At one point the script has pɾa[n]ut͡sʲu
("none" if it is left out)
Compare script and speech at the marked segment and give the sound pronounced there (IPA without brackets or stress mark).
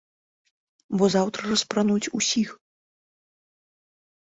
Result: n